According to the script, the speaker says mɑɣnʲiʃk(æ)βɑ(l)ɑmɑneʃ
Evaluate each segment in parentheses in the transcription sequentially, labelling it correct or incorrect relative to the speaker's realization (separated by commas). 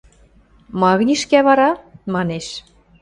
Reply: correct, incorrect